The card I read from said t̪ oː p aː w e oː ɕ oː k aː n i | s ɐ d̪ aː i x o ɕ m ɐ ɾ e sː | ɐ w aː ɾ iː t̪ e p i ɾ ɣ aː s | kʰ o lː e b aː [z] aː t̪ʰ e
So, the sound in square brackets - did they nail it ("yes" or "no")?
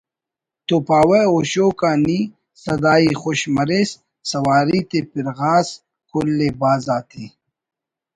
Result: yes